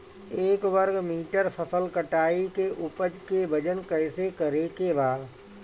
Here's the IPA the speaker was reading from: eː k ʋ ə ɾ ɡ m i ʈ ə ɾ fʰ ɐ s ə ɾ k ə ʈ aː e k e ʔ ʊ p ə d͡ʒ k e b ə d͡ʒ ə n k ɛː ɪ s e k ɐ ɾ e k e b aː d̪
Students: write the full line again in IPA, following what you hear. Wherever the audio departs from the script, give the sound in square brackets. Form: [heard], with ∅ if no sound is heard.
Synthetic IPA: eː k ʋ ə ɾ ɡ m [iː] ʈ ə ɾ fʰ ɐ s ə [l] k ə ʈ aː [i] k e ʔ ʊ p ə d͡ʒ k e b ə d͡ʒ ə n k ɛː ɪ s e k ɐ ɾ e k e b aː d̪